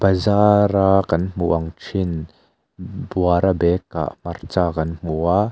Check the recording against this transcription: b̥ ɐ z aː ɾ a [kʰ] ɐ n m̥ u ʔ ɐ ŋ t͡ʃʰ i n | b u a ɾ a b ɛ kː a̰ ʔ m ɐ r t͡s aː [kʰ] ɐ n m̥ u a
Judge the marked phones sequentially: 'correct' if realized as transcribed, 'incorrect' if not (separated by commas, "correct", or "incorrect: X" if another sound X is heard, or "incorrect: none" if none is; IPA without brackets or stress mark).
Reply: incorrect: k, incorrect: k